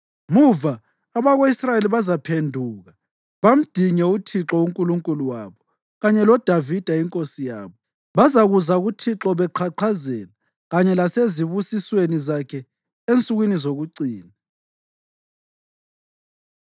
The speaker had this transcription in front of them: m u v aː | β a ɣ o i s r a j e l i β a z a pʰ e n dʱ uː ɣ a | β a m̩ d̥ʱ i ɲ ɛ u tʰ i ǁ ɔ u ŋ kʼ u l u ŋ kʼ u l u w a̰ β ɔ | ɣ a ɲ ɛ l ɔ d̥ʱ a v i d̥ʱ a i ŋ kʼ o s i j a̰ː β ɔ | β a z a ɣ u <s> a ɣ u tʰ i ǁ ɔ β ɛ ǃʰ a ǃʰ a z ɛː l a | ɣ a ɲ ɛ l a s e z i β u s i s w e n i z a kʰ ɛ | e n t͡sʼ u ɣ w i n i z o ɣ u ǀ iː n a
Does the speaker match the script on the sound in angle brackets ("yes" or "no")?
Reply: no